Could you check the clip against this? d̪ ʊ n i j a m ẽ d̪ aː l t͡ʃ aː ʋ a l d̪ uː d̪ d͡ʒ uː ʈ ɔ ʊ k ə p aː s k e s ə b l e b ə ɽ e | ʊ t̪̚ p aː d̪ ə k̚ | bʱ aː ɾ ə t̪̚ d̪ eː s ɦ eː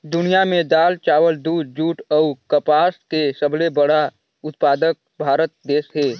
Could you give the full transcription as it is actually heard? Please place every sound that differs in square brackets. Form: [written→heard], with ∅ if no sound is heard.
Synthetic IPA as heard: d̪ ʊ n i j a m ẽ d̪ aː l t͡ʃ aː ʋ [a→ə] l d̪ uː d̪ d͡ʒ uː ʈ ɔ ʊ k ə p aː s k e s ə b l e b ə ɽ [e→a] | ʊ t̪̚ p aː d̪ ə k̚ | bʱ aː ɾ ə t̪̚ d̪ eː s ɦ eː